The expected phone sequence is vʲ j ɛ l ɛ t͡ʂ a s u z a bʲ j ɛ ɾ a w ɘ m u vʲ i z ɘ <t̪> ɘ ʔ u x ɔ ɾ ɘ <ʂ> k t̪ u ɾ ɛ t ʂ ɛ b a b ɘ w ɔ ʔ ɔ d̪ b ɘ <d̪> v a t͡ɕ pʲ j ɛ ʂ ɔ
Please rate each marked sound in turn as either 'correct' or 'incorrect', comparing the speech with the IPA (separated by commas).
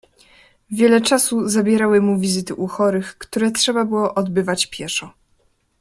correct, incorrect, incorrect